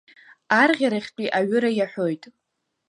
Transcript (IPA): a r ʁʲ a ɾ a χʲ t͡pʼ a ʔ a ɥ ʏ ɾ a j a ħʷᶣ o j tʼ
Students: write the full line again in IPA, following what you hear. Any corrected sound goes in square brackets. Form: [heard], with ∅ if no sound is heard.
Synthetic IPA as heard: a r ʁʲ a ɾ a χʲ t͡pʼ [i] ʔ a ɥ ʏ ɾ a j a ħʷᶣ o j tʼ